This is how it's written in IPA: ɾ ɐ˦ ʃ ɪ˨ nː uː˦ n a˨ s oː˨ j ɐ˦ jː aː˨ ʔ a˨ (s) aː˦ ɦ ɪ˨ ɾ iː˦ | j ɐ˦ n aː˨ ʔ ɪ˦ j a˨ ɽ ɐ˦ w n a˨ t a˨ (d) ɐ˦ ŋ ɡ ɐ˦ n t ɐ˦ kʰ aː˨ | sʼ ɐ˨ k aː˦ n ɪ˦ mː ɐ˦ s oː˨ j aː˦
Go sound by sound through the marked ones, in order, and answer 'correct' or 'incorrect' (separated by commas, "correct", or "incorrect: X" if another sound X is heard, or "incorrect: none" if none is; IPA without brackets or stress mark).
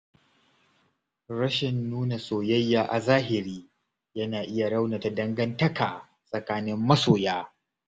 incorrect: z, correct